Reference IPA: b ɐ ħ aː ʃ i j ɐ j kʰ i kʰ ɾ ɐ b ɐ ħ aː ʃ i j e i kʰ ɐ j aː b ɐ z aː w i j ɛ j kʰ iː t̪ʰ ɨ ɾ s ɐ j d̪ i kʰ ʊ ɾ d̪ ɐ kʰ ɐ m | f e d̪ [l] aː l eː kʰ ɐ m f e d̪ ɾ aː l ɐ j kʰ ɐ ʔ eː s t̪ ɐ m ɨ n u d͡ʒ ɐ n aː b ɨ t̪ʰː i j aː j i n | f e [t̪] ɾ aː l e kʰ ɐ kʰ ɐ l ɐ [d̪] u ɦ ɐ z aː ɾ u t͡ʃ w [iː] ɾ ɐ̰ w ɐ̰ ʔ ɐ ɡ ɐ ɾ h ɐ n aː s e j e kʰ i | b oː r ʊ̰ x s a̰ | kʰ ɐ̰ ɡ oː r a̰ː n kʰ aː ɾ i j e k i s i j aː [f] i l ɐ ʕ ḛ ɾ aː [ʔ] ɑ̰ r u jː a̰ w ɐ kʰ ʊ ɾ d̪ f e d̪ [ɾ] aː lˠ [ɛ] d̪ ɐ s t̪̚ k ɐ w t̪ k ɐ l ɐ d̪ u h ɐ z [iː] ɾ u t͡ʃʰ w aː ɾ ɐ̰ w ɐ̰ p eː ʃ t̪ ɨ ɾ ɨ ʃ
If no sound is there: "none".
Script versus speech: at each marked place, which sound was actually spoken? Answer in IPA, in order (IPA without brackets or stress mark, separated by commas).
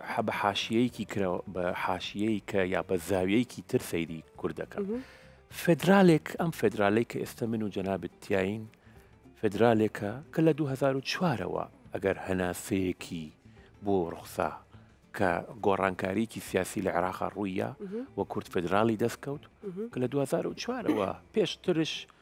ɾ, d̪, d̪, aː, s, q, ɾ, i, aː